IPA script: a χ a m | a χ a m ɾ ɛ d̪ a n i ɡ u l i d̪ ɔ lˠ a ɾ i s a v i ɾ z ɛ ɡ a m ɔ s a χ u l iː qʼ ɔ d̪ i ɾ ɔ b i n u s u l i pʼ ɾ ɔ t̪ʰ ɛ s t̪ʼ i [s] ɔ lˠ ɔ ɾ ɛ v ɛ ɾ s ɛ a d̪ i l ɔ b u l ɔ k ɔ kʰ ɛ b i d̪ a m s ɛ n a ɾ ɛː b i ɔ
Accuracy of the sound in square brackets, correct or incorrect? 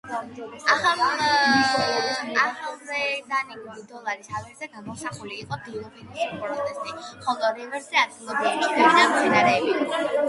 incorrect